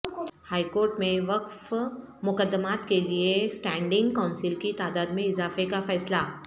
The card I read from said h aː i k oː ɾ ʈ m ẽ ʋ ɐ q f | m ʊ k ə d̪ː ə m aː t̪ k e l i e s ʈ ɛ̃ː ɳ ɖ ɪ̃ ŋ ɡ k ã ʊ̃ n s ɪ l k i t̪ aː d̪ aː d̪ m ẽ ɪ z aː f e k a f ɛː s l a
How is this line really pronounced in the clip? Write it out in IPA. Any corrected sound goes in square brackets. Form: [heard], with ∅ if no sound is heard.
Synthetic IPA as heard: h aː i k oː ɾ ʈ m ẽ ʋ ɐ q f | m ʊ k ə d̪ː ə m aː t̪ k e l i e s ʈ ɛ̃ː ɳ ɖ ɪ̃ ŋ ɡ k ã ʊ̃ n s ɪ l k i t̪ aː d̪ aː d̪ m ẽ ɪ z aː f e k a f ɛː s l a